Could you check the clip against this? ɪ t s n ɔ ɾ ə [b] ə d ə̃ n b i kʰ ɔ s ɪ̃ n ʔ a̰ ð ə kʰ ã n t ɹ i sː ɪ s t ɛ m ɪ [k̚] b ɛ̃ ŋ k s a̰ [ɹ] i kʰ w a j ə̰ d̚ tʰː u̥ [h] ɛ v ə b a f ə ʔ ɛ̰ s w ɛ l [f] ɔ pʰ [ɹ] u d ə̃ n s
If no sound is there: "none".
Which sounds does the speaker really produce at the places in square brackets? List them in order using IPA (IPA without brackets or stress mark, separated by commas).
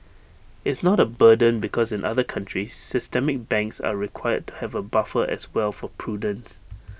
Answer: b, k̚, ɹ, h, f, ɹ